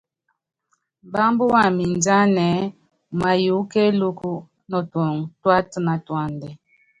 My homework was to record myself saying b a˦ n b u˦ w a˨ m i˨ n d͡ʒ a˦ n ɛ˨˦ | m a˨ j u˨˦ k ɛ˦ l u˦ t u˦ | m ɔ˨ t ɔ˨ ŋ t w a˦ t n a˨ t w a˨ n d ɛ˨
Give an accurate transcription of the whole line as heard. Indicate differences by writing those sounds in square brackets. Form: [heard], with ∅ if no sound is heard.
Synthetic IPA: b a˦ [m] b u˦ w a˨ m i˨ n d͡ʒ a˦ n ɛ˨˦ | m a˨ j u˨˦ k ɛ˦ l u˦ [k] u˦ | [n] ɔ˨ t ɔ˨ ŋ t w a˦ t n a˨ t w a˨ n d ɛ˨